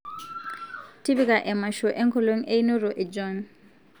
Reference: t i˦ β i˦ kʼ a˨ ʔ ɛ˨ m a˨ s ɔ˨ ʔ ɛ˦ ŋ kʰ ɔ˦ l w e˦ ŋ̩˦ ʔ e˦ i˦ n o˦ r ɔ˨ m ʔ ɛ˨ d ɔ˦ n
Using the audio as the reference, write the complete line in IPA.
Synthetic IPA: t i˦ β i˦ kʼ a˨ ʔ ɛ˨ m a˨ ʃ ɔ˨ ʔ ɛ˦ ŋ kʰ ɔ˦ l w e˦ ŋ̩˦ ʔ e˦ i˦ n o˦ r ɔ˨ ʔ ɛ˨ d͡ʒ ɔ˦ n